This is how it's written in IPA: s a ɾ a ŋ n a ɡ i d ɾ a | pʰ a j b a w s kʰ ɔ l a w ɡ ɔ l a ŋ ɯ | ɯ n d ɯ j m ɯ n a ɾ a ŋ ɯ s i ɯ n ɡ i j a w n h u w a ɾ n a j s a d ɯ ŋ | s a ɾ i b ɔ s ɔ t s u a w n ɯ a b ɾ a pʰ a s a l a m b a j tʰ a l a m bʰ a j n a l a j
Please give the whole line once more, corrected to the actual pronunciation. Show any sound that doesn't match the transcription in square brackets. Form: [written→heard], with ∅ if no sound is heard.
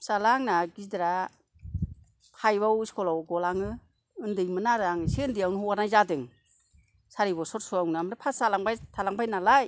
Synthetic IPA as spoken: s a [ɾ→l] a ŋ n a ɡ i d ɾ a | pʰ a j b a w s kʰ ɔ l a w ɡ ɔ l a ŋ ɯ | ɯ n d ɯ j m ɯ n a ɾ a ŋ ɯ s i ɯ n [ɡ→d] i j a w n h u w a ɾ n a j [s→z] a d ɯ ŋ | s a ɾ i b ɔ s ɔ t s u a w n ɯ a [b→m] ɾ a pʰ a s a l a [m→ŋ] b a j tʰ a l a [m→ŋ] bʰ a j n a l a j

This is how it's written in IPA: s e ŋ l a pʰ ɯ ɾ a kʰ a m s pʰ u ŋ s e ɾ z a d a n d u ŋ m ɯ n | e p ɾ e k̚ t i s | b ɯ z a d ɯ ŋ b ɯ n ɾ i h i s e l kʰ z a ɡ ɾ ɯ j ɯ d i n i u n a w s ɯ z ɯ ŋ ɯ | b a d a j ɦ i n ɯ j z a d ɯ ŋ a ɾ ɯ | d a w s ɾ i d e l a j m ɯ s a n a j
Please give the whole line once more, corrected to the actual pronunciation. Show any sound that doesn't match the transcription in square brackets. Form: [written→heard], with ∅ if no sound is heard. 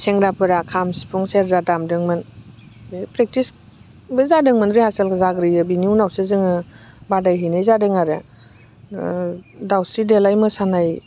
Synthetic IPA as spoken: s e ŋ [l→ɾ] a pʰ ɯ ɾ a kʰ a m s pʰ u ŋ s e ɾ z a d a [n→m] d [u→ɯ] ŋ m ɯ n | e p ɾ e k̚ t i s | b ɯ z a d ɯ ŋ [b→m] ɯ n ɾ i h [i→a] s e l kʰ z a ɡ ɾ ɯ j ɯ [d→b] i n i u n a w s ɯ z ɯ ŋ ɯ | b a d a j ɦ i n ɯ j z a d ɯ ŋ a ɾ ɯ | d a w s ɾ i d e l a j m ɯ s a n a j

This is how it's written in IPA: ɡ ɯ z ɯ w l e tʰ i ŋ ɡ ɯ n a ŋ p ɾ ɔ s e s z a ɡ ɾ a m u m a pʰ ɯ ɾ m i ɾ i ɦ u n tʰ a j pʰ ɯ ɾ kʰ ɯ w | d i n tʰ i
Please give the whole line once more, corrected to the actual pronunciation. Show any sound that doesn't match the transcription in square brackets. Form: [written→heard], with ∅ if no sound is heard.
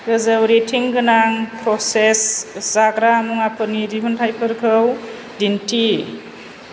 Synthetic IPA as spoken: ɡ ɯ z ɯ w [l→ɾ] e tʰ i ŋ ɡ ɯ n a ŋ p ɾ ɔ s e s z a ɡ ɾ a m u [m→ŋ] a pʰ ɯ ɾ [m→n] i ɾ i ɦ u n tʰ a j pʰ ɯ ɾ kʰ ɯ w | d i n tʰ i

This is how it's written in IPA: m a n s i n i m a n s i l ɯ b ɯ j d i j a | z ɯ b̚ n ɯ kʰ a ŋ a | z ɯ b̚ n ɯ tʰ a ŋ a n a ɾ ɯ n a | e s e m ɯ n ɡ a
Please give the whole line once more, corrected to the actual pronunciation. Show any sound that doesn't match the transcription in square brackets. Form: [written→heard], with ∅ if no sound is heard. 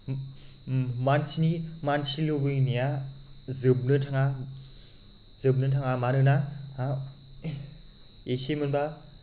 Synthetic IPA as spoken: m a n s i n i m a n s i l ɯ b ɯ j [d→n] i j a | z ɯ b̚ n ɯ [kʰ→tʰ] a ŋ a | z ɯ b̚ n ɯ tʰ a ŋ a [n→m] a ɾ ɯ n a | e s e m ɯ n [ɡ→b] a

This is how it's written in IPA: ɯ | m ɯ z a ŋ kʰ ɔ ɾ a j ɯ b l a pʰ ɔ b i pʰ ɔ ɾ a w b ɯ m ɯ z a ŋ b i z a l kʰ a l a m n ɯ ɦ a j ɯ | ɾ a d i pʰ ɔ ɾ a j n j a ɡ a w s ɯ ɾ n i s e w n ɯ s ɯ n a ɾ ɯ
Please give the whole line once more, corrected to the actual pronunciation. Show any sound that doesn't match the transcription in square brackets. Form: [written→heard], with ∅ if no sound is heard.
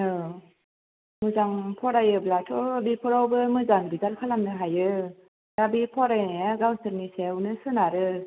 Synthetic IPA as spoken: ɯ | m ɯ z a ŋ [kʰ→pʰ] ɔ ɾ a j ɯ b l a [pʰ→tʰ] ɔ b i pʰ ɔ ɾ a w b ɯ m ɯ z a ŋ b i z a l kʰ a l a m n ɯ ɦ a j ɯ | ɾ a [d→b] i pʰ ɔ ɾ a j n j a ɡ a w s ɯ ɾ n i s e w n ɯ s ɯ n a ɾ ɯ

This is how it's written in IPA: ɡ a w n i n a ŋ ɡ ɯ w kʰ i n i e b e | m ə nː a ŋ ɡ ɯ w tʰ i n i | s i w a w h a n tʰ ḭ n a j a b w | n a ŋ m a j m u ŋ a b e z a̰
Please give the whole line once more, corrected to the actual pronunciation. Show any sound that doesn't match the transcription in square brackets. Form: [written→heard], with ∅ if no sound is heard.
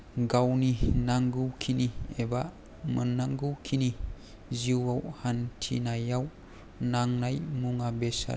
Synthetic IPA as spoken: ɡ a w n i n a ŋ ɡ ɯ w kʰ i n i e b [e→a] | m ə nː a ŋ ɡ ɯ w [tʰ→kʰ] i n i | [s→z] i w a w h a n tʰ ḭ n a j a [b→∅] w | n a ŋ [m→n] a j m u ŋ a b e [z→s] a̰

